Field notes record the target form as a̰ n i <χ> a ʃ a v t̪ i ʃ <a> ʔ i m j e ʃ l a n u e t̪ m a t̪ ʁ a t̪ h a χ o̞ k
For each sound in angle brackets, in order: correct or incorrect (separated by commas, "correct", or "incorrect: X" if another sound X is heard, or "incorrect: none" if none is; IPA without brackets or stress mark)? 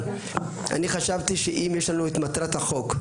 correct, incorrect: e